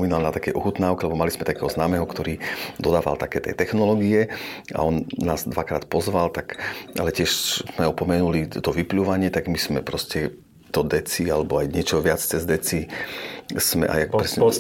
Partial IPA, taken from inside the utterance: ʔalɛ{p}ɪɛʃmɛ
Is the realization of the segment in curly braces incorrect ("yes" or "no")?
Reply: yes